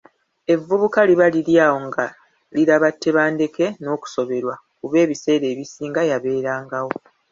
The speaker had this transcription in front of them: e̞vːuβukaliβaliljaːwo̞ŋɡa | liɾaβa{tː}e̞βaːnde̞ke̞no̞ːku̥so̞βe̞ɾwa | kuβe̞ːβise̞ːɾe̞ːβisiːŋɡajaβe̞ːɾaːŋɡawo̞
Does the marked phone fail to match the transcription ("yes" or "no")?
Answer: no